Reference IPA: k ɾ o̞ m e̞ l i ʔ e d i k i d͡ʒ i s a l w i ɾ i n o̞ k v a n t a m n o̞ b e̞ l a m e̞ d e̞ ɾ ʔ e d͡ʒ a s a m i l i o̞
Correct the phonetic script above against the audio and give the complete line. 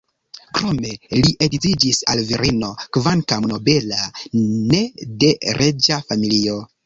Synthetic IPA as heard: k ɾ o̞ m e̞ l i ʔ e d i t i d͡ʒ i s a l v i ɾ i n o̞ k v a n k a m n o̞ b e̞ l a n e̞ d e̞ ɾ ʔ e d͡ʒ a f a m i l i o̞